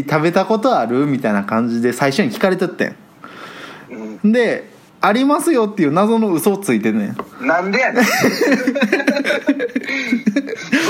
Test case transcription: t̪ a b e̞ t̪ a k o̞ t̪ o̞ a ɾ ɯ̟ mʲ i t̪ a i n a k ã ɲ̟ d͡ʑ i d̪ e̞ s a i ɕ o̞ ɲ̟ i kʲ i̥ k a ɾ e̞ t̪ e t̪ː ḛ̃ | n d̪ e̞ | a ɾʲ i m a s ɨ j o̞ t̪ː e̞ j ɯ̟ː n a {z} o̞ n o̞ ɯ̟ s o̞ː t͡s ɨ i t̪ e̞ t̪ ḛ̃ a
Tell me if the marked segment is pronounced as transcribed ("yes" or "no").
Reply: yes